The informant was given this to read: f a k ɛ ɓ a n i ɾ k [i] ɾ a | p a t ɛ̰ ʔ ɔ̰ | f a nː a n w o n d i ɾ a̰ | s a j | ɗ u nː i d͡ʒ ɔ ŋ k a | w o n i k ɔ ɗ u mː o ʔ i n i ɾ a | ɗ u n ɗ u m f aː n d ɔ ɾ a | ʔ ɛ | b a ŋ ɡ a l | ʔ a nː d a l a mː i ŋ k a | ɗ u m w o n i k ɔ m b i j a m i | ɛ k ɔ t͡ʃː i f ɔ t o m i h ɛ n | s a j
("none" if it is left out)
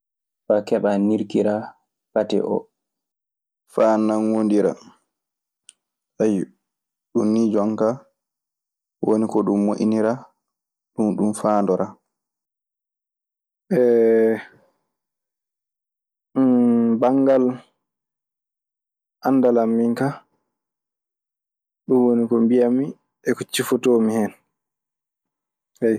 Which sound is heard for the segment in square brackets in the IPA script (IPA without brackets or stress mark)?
i